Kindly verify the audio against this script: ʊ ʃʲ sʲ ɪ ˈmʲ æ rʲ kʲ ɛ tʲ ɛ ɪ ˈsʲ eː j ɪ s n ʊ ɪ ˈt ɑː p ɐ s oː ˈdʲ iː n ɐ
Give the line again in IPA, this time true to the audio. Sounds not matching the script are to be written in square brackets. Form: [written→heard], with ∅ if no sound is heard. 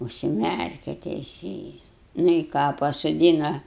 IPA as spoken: ʊ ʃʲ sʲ ɪ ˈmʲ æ rʲ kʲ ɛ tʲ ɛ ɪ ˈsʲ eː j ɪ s n ʊ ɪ [ˈt→ˈk] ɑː p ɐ s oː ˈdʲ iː n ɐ